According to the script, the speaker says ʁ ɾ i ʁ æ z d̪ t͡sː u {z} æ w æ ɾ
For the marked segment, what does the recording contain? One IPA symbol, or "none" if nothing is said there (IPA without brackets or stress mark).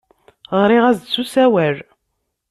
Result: s